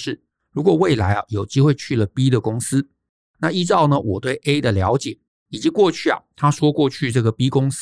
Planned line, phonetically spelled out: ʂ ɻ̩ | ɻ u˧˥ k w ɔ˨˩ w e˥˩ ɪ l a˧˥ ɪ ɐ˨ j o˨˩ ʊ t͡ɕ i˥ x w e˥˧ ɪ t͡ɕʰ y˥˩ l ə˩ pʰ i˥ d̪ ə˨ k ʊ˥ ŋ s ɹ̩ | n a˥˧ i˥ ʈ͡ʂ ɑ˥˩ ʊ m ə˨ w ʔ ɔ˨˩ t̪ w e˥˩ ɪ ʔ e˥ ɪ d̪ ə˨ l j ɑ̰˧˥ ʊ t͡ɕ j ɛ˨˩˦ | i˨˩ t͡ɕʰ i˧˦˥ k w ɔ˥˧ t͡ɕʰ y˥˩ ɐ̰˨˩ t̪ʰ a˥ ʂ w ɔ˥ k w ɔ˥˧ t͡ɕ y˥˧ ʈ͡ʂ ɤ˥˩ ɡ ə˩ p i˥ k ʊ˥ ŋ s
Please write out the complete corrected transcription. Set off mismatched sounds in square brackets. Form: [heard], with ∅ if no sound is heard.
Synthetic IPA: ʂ ɻ̩ | ɻ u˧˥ k w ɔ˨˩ w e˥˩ ɪ l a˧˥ ɪ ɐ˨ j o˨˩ ʊ t͡ɕ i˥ x w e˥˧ ɪ t͡ɕʰ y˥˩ l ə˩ [p] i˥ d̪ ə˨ k ʊ˥ ŋ s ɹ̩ | n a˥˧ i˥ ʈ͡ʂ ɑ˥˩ ʊ [n] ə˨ w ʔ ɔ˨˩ t̪ w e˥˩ ɪ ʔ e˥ ɪ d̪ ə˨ l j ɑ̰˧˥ ʊ t͡ɕ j ɛ˨˩˦ | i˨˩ [t͡ɕ] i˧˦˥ k w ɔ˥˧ t͡ɕʰ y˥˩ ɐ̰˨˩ t̪ʰ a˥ ʂ w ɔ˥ k w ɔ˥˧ [t͡ɕʰ] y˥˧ ʈ͡ʂ ɤ˥˩ ɡ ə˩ p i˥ k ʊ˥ ŋ s